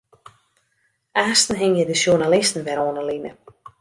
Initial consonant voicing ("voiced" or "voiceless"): voiceless